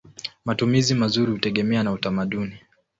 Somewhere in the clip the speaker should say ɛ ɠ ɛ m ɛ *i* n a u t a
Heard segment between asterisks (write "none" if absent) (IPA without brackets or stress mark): a